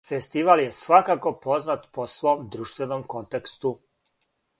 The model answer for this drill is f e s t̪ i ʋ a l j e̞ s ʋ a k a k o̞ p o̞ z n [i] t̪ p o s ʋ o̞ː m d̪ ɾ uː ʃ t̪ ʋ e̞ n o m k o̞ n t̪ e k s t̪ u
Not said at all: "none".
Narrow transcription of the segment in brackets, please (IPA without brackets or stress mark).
a